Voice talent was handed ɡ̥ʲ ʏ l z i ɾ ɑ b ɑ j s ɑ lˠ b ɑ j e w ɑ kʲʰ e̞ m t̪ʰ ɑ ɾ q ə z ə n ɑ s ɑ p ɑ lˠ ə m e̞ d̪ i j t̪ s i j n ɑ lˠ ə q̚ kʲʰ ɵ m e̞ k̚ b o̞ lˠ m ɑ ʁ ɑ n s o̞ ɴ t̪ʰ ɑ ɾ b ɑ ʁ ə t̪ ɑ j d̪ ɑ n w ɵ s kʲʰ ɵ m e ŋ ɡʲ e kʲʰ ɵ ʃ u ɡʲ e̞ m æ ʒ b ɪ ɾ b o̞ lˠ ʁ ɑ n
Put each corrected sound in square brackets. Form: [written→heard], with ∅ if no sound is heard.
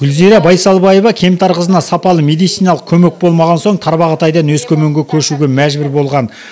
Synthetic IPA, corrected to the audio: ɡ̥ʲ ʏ l z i ɾ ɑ b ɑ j s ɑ lˠ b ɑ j e [w→v] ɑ kʲʰ e̞ m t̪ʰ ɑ ɾ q ə z ə n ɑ s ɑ p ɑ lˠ ə m e̞ d̪ i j t̪ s i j n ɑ lˠ ə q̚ kʲʰ ɵ m e̞ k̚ b o̞ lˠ m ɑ ʁ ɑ n s o̞ ɴ t̪ʰ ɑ ɾ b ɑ ʁ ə t̪ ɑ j d̪ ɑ n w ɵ s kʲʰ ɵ m e ŋ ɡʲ e kʲʰ ɵ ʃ u ɡʲ e̞ m æ ʒ b ɪ ɾ b o̞ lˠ ʁ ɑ n